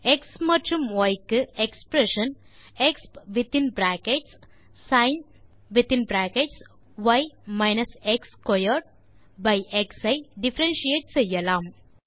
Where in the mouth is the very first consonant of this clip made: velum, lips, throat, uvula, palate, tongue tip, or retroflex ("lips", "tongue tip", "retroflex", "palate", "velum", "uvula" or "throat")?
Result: velum